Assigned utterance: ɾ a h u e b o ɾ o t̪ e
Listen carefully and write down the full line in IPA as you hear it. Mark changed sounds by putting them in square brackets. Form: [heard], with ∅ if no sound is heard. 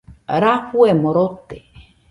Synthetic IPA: ɾ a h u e [m] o ɾ o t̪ e